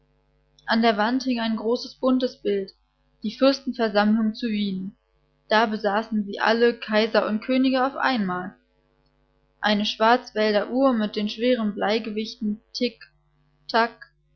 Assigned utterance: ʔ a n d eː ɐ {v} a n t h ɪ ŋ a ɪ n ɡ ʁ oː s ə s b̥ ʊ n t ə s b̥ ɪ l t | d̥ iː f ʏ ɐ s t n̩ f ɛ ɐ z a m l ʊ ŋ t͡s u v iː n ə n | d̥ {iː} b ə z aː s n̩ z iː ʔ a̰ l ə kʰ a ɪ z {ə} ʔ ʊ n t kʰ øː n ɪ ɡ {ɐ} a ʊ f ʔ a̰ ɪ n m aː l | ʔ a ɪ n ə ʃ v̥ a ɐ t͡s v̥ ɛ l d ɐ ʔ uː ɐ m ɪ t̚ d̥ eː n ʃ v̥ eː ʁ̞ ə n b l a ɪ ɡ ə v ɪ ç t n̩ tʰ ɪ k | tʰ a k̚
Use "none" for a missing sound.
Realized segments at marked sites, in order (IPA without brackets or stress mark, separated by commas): v, aː, ɐ, ə